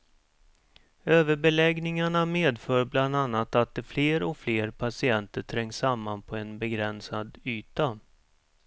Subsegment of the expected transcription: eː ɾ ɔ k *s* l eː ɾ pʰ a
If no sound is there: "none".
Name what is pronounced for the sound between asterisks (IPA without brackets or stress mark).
f